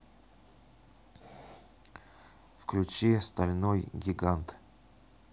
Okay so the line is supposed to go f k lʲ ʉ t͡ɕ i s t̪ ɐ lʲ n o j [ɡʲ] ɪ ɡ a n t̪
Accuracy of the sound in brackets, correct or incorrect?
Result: correct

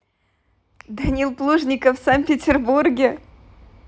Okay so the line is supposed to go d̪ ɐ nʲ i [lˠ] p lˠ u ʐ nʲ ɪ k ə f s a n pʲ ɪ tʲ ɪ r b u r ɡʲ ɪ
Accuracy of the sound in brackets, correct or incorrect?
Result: correct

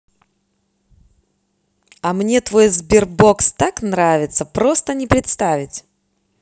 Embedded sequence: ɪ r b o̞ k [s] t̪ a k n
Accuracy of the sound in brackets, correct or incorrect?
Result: correct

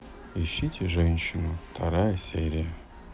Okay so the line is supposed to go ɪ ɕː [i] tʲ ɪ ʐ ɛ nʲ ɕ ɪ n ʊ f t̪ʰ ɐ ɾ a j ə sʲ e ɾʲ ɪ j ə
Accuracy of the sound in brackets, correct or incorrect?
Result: correct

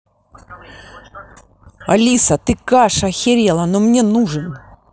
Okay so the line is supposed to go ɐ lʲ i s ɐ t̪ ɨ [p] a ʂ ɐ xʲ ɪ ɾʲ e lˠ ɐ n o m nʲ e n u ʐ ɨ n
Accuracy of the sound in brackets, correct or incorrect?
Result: incorrect: k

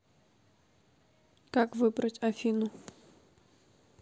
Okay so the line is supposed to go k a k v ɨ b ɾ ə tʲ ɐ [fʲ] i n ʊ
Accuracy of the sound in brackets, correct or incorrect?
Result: correct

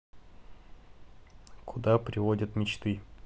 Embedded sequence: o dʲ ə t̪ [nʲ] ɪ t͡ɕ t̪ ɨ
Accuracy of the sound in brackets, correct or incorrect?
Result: incorrect: mʲ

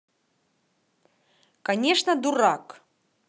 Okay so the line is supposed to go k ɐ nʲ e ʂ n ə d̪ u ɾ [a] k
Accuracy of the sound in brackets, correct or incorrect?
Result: correct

